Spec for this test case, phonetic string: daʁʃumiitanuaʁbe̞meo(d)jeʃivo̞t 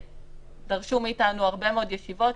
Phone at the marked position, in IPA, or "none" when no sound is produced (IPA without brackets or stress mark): d